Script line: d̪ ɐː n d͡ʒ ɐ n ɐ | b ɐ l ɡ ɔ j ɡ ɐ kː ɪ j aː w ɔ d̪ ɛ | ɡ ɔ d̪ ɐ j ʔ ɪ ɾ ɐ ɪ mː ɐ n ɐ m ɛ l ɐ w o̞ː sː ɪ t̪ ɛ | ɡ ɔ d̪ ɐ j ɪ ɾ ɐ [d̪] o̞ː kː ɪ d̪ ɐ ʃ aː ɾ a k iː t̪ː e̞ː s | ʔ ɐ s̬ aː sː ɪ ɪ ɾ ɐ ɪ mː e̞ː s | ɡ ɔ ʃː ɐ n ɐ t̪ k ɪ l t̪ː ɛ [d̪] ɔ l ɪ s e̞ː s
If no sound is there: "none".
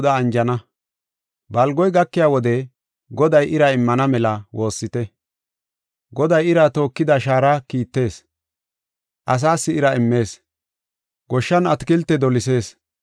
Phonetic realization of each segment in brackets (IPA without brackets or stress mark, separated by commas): t̪, d̪